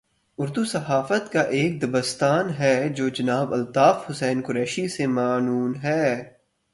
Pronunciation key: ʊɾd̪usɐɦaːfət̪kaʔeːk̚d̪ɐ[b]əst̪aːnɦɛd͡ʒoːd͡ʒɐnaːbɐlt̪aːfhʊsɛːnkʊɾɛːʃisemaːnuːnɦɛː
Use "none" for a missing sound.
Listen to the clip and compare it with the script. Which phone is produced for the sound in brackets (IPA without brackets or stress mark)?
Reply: b